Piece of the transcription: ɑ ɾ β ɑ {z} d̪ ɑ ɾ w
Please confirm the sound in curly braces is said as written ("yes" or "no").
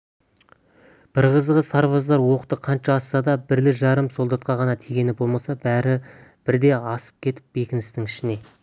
yes